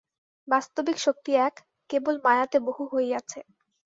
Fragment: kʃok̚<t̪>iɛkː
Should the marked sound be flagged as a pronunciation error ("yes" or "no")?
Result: no